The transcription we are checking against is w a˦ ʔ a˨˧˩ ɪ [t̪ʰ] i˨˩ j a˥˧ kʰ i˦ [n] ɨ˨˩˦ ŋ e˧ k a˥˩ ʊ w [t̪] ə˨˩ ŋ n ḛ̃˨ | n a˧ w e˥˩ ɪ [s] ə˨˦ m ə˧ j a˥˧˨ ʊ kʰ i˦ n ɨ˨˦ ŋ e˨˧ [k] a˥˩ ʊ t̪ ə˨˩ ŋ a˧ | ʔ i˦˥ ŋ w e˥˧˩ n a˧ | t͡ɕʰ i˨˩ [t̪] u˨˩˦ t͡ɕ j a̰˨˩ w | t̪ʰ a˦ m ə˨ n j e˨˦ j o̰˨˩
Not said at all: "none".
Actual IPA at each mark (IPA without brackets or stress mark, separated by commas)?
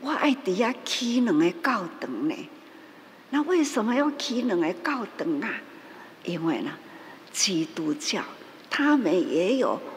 t̪, n, t̪, s, k, t̪